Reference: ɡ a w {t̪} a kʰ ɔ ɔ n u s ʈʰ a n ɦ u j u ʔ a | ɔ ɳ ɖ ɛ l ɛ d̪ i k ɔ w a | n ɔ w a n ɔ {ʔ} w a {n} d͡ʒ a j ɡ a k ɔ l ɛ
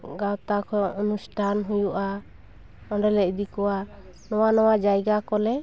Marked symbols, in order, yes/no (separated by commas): yes, no, no